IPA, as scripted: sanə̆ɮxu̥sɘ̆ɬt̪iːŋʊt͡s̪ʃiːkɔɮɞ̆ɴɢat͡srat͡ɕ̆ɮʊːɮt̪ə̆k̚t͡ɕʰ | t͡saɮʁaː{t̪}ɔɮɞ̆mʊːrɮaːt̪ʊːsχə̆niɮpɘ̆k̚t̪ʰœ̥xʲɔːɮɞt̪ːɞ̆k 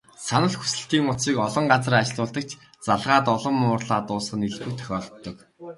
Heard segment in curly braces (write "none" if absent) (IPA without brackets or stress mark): t̪